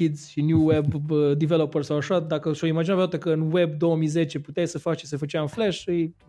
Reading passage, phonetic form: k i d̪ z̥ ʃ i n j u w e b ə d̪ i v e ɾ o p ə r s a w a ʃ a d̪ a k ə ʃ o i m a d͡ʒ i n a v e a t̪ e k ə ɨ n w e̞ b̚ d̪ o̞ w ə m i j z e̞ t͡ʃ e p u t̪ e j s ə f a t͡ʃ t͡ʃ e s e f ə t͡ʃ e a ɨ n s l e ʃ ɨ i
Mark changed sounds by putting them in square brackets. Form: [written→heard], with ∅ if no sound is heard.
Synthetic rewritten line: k i d̪ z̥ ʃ i n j u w e b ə d̪ i v e [ɾ→l] o p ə r s a w a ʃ a d̪ a k ə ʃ o i m a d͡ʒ i n a v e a t̪ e k ə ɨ n w e̞ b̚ d̪ o̞ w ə m i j z e̞ t͡ʃ e p u t̪ e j s ə f a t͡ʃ t͡ʃ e s e f ə t͡ʃ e a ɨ n [s→f] l e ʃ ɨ [i→j]